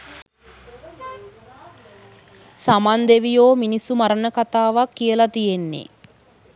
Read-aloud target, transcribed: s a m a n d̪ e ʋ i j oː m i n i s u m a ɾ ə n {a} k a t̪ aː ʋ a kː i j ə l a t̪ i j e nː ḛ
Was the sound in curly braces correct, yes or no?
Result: no